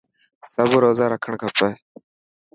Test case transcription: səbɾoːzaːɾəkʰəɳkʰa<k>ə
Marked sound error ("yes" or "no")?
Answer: yes